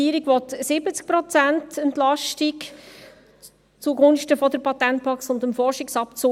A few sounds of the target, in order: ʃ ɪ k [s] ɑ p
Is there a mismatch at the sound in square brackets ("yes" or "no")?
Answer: no